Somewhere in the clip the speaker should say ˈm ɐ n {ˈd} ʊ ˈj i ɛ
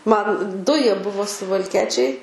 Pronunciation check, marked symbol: correct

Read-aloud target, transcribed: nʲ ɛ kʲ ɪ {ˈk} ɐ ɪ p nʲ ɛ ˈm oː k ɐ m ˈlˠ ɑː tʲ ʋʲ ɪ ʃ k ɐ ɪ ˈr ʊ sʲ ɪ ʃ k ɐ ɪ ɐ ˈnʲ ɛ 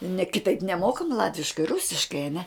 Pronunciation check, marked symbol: incorrect: t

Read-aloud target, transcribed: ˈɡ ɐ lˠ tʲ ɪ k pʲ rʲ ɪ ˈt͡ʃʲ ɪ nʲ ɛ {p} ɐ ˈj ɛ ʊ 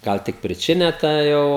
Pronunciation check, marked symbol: incorrect: t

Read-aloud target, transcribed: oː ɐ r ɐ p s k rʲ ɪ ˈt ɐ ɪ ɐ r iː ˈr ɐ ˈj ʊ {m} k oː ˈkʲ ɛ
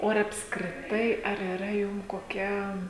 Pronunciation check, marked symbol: correct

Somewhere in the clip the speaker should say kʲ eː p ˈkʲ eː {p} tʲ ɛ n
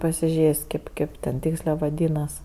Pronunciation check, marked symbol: correct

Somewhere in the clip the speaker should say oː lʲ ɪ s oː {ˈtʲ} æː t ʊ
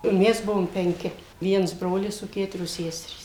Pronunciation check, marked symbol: incorrect: kʲ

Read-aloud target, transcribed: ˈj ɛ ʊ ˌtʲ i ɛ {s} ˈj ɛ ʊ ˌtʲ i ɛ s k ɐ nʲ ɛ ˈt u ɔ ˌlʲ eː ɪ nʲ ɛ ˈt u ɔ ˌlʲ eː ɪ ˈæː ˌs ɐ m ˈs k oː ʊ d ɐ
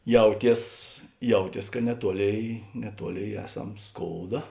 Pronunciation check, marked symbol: correct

